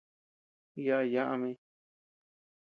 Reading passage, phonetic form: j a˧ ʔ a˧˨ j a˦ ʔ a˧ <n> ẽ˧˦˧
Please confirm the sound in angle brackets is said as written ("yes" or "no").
no